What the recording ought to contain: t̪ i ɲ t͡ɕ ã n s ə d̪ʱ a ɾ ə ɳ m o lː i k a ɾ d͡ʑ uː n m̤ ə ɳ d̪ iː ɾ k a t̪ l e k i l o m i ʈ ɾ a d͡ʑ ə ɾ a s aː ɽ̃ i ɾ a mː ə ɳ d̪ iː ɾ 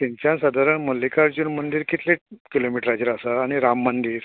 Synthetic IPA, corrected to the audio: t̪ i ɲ t͡ɕ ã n s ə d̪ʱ a ɾ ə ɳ m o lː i k a ɾ d͡ʑ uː n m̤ ə ɳ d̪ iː ɾ k i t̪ l e k i l o m i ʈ ɾ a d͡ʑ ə ɾ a s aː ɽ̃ i ɾ a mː ə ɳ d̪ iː ɾ